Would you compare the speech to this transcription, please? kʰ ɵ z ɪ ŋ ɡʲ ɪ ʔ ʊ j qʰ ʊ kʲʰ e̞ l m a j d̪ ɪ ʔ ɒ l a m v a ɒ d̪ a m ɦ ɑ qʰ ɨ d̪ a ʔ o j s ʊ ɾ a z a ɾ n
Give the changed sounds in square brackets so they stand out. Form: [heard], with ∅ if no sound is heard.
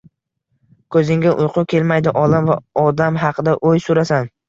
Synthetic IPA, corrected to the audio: kʰ ɵ z ɪ ŋ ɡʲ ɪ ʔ ʊ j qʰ ʊ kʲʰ e̞ l m a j d̪ ɪ ʔ ɒ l a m v a ɒ d̪ a m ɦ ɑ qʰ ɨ d̪ a ʔ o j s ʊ ɾ a [s] a [∅] n